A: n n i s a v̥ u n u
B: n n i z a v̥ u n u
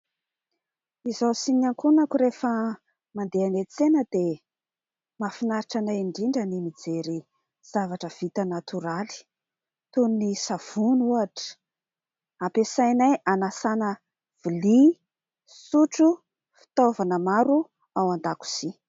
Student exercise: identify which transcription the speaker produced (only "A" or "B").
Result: A